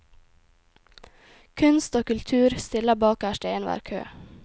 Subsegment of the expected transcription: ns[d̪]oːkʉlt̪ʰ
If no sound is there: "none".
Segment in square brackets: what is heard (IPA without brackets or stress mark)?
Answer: t̪